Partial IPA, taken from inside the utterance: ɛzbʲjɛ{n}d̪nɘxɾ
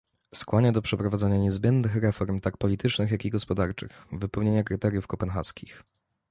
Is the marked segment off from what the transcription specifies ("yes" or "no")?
no